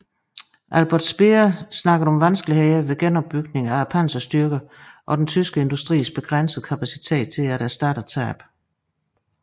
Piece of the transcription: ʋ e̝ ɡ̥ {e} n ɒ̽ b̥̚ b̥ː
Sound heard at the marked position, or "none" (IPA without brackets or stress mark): e